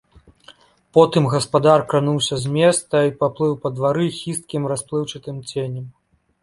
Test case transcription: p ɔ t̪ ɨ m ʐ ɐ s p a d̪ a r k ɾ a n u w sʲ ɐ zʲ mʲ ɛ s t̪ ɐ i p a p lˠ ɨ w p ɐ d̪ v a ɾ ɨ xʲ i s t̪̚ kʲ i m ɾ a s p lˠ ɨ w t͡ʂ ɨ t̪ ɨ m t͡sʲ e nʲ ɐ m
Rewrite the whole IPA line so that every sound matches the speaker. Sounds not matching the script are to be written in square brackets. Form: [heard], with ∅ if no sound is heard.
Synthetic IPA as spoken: p ɔ t̪ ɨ m [ɣ] ɐ s p a d̪ a r k ɾ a n u w sʲ ɐ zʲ mʲ ɛ s t̪ ɐ i p a p lˠ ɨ w p ɐ d̪ v a ɾ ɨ xʲ i s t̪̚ kʲ i m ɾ a s p lˠ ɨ w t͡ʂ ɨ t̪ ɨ m t͡sʲ e nʲ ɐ m